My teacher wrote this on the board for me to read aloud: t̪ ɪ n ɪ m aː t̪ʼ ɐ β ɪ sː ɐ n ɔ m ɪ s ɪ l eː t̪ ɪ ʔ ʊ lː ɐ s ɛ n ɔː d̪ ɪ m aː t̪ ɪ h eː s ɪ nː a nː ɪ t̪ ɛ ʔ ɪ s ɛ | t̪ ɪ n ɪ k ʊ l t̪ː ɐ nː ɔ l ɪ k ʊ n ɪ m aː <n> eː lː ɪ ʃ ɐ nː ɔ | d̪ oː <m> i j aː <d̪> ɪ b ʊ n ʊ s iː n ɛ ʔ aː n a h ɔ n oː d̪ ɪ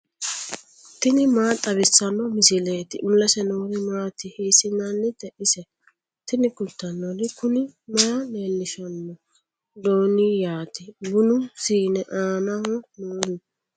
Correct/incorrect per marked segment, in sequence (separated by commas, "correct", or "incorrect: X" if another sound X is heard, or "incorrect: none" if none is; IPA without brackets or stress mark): correct, incorrect: n, incorrect: t̪